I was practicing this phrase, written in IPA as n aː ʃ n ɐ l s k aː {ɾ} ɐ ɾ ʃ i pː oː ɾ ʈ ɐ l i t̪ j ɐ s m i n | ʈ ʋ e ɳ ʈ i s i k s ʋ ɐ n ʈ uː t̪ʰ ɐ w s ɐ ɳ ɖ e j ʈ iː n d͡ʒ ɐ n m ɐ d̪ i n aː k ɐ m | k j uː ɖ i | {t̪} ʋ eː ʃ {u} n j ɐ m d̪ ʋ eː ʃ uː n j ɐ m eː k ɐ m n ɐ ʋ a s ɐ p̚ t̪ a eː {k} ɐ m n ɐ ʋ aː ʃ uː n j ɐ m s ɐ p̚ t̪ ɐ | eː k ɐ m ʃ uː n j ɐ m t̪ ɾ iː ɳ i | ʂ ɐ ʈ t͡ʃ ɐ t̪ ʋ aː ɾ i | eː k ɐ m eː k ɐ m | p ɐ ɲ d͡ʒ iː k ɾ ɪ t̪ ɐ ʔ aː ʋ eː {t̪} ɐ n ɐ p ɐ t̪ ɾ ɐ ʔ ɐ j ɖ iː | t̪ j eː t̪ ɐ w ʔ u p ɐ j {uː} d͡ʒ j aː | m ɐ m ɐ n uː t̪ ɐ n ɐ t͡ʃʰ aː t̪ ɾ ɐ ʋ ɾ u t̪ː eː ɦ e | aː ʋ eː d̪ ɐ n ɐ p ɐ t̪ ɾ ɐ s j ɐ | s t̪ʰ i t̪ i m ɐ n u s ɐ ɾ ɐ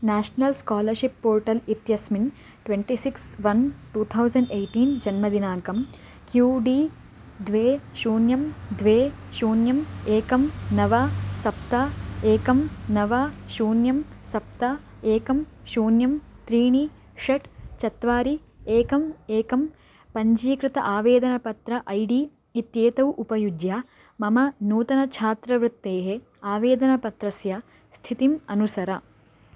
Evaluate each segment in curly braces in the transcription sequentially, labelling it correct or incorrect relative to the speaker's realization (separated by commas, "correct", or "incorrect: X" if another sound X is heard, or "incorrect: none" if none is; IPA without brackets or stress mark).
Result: incorrect: l, incorrect: d̪, incorrect: uː, correct, incorrect: d̪, incorrect: u